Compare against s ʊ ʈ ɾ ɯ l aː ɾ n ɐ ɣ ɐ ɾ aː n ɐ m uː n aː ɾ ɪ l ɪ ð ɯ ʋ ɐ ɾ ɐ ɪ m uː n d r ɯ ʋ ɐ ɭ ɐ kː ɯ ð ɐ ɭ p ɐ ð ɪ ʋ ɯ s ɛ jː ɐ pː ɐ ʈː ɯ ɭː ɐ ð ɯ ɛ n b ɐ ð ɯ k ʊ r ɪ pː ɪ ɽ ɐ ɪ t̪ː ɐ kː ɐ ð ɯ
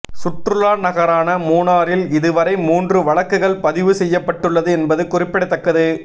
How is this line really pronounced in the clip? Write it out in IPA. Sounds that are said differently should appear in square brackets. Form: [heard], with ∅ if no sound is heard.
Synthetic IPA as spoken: s ʊ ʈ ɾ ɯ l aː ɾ n ɐ ɣ ɐ ɾ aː n ɐ m uː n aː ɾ ɪ l ɪ ð ɯ ʋ ɐ ɾ ɐ ɪ m uː n d r ɯ ʋ ɐ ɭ ɐ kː ɯ [ɣ] ɐ ɭ p ɐ ð ɪ ʋ ɯ s ɛ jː ɐ pː ɐ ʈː ɯ ɭː ɐ ð ɯ ɛ n b ɐ ð ɯ k ʊ r ɪ pː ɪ ɽ ɐ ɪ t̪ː ɐ kː ɐ ð ɯ